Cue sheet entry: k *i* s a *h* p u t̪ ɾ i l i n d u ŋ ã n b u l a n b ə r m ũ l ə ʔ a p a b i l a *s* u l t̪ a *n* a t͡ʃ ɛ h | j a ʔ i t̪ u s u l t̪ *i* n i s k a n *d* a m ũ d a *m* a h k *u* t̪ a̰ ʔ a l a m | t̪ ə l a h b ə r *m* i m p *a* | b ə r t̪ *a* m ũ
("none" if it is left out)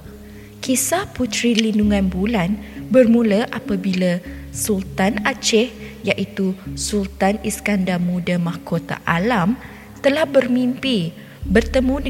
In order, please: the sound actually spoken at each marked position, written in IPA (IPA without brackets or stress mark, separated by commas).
i, h, s, n, a, d, m, o, m, i, ə